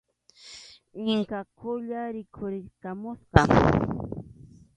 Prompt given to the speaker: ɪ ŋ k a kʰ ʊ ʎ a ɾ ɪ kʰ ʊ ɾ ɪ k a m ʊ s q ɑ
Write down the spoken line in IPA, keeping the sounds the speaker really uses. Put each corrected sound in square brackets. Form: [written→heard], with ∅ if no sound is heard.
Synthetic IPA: ɪ ŋ k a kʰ ʊ ʎ a ɾ ɪ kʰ ʊ ɾ ɪ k a m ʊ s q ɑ